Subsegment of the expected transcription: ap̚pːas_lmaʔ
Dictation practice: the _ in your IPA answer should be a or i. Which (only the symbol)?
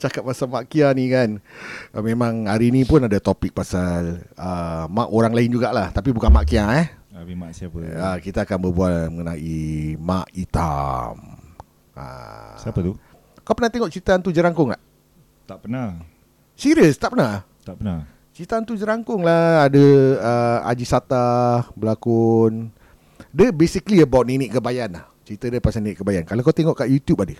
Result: a